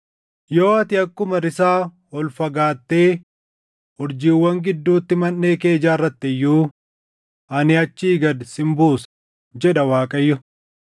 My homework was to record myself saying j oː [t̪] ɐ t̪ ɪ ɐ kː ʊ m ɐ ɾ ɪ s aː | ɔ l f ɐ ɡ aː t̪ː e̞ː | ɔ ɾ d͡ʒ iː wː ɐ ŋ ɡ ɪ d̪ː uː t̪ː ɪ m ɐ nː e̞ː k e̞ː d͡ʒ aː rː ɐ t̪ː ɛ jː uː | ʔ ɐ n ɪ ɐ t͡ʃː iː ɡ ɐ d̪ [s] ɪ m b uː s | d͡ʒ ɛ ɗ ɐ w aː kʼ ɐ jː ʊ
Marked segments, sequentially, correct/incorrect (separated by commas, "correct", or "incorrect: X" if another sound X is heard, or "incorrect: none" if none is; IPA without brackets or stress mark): incorrect: none, correct